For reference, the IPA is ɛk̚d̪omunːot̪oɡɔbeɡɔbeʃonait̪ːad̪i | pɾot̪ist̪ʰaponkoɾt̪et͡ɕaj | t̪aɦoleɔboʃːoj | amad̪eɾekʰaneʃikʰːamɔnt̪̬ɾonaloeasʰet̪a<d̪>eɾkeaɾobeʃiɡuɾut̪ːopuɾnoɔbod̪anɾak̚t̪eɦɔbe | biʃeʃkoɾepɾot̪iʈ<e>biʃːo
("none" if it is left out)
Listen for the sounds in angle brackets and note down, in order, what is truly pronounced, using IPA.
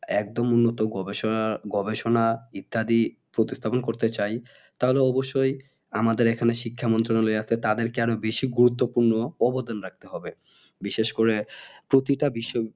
d̪, a

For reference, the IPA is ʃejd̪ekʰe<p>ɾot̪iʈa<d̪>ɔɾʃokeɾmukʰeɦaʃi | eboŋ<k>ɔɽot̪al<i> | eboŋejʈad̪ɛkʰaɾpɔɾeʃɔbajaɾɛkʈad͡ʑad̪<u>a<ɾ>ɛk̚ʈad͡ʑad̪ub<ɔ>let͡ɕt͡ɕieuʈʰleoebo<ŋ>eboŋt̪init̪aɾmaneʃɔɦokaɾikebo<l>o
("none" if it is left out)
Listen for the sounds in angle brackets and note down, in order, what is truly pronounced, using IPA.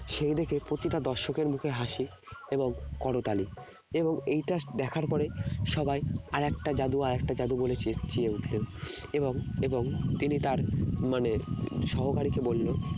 p, d̪, k, i, u, ɾ, o, ŋ, lː

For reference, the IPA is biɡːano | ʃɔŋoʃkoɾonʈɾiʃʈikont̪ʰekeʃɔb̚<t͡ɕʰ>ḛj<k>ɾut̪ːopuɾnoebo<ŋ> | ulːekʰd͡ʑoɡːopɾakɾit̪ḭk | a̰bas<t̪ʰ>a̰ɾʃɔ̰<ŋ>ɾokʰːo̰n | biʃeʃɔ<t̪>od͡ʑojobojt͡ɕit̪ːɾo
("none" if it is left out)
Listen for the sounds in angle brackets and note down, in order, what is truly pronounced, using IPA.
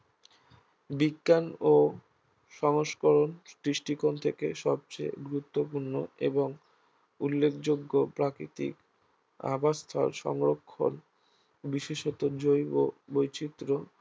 t͡ɕ, ɡ, ŋ, t̪ʰ, ŋ, t̪

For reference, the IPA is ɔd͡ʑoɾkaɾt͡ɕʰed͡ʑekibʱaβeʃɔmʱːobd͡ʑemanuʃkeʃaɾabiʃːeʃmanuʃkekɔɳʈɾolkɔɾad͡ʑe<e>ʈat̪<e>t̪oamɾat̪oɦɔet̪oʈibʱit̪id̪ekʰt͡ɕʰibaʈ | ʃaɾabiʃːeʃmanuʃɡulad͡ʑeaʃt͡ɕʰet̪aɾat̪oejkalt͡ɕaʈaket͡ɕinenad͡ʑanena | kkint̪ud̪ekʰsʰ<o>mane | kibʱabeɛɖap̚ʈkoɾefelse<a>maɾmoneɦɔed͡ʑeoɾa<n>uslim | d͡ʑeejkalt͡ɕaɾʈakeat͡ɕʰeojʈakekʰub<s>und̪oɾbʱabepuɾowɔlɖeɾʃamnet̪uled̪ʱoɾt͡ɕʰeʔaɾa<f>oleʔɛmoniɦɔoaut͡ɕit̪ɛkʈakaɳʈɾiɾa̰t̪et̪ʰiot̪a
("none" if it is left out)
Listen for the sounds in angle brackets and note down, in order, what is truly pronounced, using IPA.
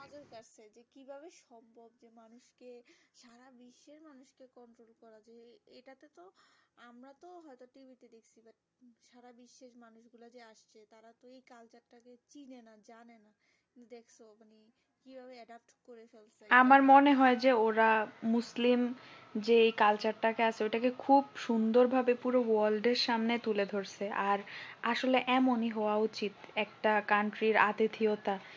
e, e, o, a, m, ʃ, ʃ

